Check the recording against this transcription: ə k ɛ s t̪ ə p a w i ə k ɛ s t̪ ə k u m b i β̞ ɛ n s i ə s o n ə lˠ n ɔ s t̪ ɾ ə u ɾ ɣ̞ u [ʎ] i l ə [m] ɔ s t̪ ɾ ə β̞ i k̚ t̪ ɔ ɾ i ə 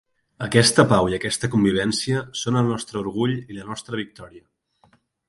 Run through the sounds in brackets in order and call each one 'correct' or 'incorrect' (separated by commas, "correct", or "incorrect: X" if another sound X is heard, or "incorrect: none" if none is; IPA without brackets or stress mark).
correct, incorrect: n